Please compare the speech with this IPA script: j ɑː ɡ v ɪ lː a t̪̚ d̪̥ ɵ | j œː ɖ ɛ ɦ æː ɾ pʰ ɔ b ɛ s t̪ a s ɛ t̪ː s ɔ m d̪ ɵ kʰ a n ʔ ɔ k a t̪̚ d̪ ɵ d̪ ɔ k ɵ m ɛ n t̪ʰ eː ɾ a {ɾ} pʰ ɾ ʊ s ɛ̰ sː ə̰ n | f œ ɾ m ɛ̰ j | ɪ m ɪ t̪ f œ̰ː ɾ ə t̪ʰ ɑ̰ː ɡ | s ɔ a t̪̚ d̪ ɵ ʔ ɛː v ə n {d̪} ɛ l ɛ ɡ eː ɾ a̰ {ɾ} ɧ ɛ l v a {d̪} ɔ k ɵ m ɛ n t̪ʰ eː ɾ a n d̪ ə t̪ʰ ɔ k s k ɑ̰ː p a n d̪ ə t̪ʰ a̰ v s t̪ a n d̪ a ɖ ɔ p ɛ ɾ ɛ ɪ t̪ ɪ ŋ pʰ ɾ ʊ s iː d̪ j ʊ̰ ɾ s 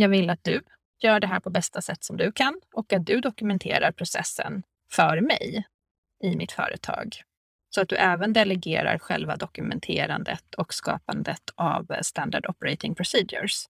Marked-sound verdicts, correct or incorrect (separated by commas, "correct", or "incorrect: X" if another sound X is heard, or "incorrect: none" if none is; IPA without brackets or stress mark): correct, correct, correct, correct